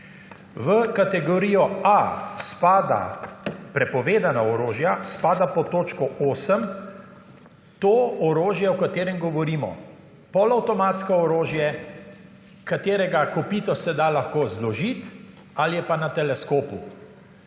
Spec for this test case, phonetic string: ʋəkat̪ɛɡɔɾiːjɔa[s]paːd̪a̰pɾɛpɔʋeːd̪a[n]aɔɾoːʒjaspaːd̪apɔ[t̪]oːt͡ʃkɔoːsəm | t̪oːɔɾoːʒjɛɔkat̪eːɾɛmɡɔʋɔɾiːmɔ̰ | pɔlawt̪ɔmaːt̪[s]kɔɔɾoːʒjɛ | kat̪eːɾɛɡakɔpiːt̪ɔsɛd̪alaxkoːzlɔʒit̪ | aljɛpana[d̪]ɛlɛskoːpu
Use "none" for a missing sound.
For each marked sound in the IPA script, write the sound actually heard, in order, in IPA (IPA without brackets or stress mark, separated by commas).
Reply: s, n, t̪, s, t̪